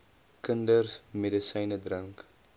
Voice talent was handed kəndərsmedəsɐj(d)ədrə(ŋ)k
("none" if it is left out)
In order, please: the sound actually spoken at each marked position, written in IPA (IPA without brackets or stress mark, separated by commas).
n, ŋ